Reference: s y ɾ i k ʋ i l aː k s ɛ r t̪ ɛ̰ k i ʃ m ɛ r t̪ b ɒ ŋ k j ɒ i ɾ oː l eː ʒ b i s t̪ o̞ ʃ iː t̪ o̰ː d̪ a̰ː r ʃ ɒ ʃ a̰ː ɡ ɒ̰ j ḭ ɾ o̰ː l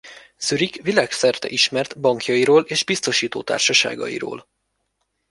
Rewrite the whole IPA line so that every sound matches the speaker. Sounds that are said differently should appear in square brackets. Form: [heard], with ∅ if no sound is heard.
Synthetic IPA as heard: s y ɾ i k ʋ i l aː k s ɛ r t̪ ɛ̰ [ʔ] i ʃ m ɛ r t̪ b ɒ ŋ k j ɒ i ɾ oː l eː ʒ b i s t̪ o̞ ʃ iː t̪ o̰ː [t̪] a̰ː r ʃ ɒ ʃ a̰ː ɡ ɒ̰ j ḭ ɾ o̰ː l